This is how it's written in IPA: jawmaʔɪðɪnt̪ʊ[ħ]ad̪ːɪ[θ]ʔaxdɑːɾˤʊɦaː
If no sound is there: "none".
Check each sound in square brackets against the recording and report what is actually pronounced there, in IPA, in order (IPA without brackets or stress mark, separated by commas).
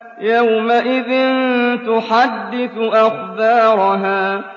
ħ, θ